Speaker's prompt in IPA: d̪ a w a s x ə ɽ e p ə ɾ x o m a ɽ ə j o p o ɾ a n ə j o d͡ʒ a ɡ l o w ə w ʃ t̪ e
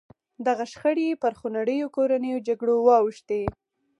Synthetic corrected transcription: d̪ a ɣ a ʃ x ə ɽ e p ə ɾ x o n a ɽ ə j o k o ɾ a n ə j o d͡ʒ a ɡ ɽ o w ɑ w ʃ t̪ e